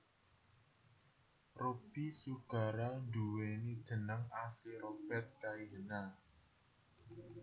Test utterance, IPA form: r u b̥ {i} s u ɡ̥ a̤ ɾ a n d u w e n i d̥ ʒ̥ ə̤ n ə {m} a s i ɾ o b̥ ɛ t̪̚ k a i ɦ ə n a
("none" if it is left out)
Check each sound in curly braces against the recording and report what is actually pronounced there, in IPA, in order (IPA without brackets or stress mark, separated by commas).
i, ŋ